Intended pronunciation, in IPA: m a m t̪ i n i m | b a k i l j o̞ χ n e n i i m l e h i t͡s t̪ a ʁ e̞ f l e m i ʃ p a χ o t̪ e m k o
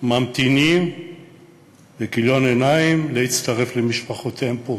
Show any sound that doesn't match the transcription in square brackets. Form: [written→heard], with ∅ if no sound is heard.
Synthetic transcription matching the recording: m a m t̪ i n i m | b [a→e] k i l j o̞ [χ→∅] n e n [i→a] i m l e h i t͡s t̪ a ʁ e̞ f l e m i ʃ p a χ o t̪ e m [k→p] o